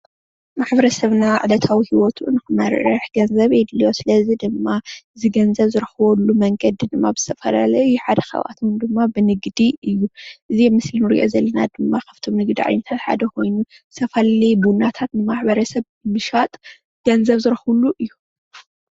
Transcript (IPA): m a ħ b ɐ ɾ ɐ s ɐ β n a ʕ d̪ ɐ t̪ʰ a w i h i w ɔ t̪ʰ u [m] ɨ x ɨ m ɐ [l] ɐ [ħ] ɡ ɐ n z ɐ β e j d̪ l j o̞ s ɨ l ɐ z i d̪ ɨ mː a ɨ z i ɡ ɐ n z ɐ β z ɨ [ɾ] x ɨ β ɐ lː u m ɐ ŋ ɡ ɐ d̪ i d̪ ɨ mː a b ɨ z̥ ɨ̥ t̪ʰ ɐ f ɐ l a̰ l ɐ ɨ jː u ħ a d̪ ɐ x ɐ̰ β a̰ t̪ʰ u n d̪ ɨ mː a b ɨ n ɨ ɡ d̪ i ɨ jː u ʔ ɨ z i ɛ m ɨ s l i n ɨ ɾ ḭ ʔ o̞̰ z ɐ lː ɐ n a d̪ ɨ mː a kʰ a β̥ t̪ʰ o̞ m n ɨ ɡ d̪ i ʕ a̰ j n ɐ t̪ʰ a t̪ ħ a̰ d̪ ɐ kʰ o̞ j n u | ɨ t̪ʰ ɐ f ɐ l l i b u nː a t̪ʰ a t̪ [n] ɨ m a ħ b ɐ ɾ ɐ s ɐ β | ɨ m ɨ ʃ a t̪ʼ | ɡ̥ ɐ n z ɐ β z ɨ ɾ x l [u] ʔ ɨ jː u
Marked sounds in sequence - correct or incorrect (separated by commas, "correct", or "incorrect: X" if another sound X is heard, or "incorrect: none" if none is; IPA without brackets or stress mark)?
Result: incorrect: n, incorrect: ɾ, correct, correct, correct, correct